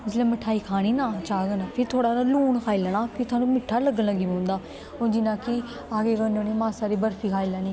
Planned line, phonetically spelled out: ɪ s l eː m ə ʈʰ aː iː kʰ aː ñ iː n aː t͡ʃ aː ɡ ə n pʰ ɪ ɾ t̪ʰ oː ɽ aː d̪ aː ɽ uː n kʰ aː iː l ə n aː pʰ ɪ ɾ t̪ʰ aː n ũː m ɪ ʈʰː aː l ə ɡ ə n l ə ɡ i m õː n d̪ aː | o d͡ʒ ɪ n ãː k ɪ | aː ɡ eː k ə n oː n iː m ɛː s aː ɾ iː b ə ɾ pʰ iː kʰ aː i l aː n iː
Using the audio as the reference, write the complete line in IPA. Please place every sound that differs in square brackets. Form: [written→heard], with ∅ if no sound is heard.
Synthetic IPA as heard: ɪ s l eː m ə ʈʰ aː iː kʰ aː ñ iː n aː t͡ʃ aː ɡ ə n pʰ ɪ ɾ t̪ʰ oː ɽ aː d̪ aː [ɽ→l] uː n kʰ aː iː l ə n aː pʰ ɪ ɾ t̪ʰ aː n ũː m ɪ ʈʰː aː l ə ɡ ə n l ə ɡ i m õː n d̪ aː | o d͡ʒ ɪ n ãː k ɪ | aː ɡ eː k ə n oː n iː m [ɛː→aː] s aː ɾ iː b ə ɾ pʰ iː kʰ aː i l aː n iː

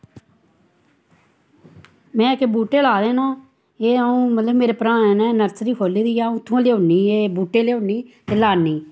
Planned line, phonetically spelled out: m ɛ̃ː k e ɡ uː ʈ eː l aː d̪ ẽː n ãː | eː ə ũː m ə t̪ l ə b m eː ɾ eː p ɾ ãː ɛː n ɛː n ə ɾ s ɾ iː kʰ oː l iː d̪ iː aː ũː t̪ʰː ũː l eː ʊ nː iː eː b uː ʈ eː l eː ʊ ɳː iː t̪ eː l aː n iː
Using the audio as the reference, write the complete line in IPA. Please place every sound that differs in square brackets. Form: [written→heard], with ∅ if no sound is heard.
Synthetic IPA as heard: m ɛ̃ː k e [ɡ→b] uː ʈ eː l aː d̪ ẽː n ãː | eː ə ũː m ə t̪ l ə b m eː ɾ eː p ɾ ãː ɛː n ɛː n ə ɾ s ɾ iː kʰ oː l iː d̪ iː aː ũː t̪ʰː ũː l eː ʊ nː iː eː b uː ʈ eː l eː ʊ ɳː iː t̪ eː l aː n iː

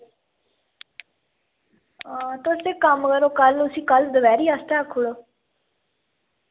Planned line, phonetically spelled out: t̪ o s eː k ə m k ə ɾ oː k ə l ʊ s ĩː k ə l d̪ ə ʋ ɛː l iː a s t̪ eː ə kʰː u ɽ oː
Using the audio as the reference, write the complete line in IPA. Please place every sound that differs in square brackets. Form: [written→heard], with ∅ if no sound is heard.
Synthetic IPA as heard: t̪ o s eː k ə m k ə ɾ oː k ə l ʊ s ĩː k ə l d̪ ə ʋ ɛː [l→ɾ] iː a s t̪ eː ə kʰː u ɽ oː

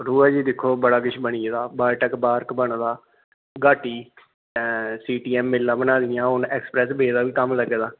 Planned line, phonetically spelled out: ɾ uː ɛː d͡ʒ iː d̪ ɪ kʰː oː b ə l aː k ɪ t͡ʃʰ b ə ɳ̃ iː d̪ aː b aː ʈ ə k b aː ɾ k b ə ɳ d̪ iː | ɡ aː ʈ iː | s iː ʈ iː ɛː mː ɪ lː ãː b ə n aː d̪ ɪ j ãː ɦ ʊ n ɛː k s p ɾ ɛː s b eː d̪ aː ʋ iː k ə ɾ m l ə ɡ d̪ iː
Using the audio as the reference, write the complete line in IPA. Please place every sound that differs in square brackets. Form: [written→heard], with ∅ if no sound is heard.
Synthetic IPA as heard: ɾ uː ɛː d͡ʒ iː d̪ ɪ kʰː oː b ə [l→ɽ] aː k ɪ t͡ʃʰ b ə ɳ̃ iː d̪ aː b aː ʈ ə k b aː ɾ k b ə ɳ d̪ [iː→aː] | ɡ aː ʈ iː | s iː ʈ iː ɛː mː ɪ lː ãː b ə n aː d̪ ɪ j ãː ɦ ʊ n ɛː k s p ɾ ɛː s b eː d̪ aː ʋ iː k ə [ɾ→∅] m l ə ɡ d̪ [iː→aː]

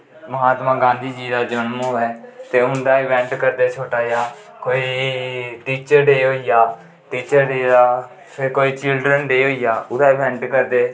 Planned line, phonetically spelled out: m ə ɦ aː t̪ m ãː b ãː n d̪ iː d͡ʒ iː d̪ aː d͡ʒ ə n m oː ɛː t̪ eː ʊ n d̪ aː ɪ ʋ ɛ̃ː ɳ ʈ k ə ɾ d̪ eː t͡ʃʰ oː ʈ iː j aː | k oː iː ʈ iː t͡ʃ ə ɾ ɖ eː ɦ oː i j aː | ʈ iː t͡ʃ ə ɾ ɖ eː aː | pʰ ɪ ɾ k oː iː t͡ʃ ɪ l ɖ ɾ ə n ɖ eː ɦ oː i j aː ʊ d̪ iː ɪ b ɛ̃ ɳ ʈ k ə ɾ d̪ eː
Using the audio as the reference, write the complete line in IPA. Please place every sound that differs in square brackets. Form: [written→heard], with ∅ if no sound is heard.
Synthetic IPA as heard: m ə ɦ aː t̪ m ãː [b→ɡ] ãː n d̪ iː d͡ʒ iː d̪ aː d͡ʒ ə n m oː ɛː t̪ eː ʊ n d̪ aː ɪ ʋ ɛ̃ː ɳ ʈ k ə ɾ d̪ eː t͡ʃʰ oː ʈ [iː→aː] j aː | k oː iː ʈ iː t͡ʃ ə ɾ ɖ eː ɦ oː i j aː | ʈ iː t͡ʃ ə ɾ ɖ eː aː | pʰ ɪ ɾ k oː iː t͡ʃ ɪ l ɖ ɾ ə n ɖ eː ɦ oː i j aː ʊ d̪ [iː→aː] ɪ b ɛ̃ ɳ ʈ k ə ɾ d̪ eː

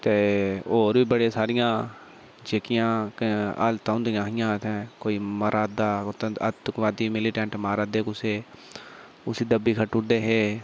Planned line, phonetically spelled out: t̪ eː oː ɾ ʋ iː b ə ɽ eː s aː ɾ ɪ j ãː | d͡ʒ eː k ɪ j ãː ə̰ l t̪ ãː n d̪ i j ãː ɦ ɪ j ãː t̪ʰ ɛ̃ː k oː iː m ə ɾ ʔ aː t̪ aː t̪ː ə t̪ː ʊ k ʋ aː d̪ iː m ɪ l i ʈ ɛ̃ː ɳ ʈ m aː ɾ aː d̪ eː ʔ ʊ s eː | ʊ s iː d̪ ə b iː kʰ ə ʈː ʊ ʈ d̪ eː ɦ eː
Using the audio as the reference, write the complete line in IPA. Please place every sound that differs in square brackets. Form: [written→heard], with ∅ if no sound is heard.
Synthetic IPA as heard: t̪ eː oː ɾ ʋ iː b ə ɽ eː s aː ɾ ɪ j ãː | d͡ʒ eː k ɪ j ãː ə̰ l t̪ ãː n d̪ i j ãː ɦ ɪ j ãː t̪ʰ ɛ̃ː k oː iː m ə ɾ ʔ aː [t̪→d̪] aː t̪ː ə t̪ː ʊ k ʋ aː d̪ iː m ɪ l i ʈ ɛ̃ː ɳ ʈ m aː ɾ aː d̪ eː [ʔ→k] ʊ s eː | ʊ s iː d̪ ə b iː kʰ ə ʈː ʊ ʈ d̪ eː ɦ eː

